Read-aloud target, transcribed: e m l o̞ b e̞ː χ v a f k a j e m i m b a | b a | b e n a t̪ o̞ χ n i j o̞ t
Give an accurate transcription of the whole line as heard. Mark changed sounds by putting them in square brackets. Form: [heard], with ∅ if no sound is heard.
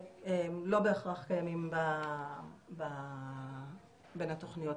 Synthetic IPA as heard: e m l o̞ b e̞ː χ [ʁ] a [χ] k a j [a] m i m b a | b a | b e n a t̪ o̞ χ n i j o̞ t

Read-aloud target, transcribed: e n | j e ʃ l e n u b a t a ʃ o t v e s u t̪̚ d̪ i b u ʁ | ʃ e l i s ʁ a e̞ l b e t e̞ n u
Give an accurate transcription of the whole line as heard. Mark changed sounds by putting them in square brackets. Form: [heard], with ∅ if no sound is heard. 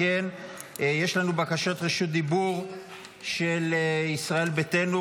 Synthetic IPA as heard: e n | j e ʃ l [a] n u b a [k] a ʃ o t [ʁ] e [ʃ] u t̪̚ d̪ i b u ʁ | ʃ e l i s ʁ a e̞ l b e t e̞ n u

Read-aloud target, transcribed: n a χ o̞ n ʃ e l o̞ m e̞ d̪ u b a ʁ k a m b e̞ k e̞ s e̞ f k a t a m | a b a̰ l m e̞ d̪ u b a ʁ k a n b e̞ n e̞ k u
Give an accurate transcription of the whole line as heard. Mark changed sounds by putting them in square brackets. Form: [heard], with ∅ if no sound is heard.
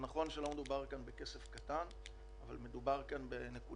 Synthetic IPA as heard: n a χ o̞ n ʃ e l o̞ m e̞ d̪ u b a ʁ k a [n] b e̞ k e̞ s e̞ f k a t a [n] | a [v] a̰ l m e̞ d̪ u b a ʁ k a n b e̞ n e̞ k u

